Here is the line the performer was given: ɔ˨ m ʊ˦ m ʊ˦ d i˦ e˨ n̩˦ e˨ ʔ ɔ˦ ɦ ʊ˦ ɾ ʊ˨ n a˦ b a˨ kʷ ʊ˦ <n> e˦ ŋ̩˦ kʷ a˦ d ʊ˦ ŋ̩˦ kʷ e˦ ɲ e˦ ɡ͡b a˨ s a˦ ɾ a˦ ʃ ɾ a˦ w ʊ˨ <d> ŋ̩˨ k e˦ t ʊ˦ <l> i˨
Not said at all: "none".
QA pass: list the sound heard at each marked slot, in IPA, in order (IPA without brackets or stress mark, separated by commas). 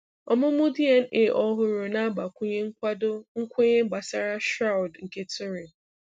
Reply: ɲ, d, ɾ